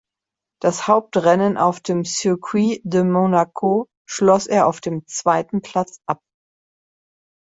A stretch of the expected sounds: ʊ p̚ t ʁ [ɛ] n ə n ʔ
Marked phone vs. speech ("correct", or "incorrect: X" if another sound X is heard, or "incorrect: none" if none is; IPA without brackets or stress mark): correct